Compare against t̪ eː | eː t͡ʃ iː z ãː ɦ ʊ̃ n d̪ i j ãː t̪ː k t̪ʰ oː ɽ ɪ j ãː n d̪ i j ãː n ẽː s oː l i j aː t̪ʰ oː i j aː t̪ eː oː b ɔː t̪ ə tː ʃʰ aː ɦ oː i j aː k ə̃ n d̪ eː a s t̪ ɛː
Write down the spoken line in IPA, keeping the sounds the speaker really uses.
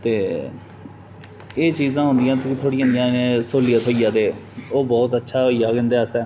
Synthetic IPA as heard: t̪ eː | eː t͡ʃ iː z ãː ɦ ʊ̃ n d̪ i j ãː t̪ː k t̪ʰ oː ɽ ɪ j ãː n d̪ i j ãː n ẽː s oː l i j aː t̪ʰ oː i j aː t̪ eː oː b ɔː t̪ ə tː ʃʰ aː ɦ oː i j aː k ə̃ n d̪ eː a s t̪ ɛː

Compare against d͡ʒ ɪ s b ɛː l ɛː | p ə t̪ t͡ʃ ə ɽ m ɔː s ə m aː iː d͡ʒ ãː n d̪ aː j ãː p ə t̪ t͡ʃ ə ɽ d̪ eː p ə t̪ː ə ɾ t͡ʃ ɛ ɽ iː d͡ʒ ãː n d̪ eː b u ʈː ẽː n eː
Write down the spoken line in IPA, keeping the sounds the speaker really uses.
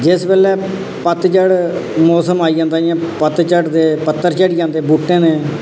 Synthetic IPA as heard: d͡ʒ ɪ s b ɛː l ɛː | p ə t̪ t͡ʃ ə ɽ m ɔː s ə m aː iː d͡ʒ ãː n d̪ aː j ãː p ə t̪ t͡ʃ ə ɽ d̪ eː p ə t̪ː ə ɾ t͡ʃ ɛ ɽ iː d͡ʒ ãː n d̪ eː b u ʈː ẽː n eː

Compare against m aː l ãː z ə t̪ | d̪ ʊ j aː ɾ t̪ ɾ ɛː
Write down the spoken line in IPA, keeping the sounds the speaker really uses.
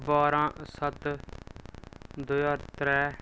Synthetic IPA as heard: b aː ɾ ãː s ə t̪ | d̪ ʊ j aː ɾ t̪ ɾ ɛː

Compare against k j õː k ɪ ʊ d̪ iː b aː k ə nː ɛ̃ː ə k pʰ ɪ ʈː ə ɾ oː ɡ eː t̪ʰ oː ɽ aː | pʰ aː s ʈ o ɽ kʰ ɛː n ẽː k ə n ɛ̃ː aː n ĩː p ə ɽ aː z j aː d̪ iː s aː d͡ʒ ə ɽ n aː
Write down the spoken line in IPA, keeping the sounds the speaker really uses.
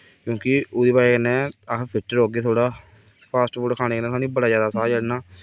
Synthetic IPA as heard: k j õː k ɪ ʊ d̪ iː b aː k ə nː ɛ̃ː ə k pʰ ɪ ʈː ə ɾ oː ɡ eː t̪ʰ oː ɽ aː | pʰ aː s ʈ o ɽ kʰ aː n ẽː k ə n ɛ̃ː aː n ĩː b ə ɽ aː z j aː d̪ aː s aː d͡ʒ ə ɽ n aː

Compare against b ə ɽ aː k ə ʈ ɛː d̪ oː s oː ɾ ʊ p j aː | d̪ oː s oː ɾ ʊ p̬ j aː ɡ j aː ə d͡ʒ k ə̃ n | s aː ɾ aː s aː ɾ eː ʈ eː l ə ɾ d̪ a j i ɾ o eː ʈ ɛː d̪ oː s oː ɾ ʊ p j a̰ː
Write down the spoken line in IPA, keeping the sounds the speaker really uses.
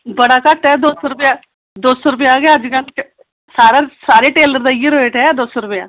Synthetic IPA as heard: b ə ɽ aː k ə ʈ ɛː d̪ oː s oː ɾ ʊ p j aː | d̪ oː s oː ɾ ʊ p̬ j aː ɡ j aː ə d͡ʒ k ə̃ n | s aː ɾ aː s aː ɾ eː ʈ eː l ə ɾ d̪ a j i ɾ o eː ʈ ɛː d̪ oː s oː ɾ ʊ p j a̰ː

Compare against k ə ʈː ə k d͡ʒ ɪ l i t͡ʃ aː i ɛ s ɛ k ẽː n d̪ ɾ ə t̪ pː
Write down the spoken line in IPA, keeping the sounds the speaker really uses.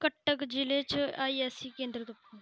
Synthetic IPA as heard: k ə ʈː ə k d͡ʒ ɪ l e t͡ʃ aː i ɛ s i k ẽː n d̪ ɾ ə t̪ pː

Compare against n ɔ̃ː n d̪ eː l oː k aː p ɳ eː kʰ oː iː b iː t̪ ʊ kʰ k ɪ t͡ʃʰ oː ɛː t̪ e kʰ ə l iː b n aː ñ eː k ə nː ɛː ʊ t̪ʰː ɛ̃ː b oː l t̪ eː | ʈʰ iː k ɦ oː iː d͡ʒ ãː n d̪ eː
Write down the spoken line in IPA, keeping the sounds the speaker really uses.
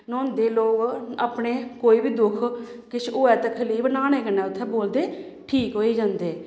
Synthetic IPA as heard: n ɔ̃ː n d̪ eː l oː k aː p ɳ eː k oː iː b iː d̪ ʊ kʰ k ɪ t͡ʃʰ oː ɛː t̪ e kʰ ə l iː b n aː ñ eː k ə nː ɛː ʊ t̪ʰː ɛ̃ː b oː l d̪ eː | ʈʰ iː k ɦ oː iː d͡ʒ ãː n d̪ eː

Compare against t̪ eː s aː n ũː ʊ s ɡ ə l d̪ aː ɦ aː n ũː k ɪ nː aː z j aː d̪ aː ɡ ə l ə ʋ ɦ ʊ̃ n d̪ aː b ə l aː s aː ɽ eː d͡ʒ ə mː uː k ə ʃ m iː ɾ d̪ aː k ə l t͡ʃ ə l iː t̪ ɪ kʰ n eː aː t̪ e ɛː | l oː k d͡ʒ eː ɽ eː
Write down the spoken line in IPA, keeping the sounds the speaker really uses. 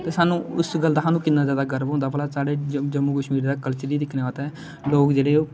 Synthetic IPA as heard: t̪ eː s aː n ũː ʊ s ɡ ə l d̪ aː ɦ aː n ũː k ɪ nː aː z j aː d̪ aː ɡ ə ɾ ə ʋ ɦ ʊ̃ n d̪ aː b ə l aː s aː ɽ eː d͡ʒ ə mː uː k ə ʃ m iː ɾ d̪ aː k ə l t͡ʃ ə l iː d̪ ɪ kʰ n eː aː t̪ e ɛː | l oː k d͡ʒ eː ɽ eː

